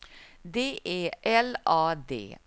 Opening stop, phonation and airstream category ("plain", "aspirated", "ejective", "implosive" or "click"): plain